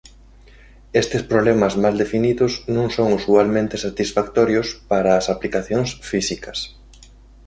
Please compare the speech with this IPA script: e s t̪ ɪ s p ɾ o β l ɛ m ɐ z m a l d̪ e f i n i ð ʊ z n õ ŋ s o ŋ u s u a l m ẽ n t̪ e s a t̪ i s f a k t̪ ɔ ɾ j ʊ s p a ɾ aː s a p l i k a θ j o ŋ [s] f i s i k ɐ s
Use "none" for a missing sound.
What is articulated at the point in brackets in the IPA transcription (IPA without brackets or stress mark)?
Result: s